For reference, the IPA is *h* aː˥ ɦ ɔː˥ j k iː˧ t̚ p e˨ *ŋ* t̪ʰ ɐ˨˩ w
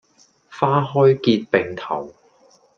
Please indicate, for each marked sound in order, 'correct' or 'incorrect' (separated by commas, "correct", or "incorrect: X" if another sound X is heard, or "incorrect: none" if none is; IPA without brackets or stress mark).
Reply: incorrect: f, correct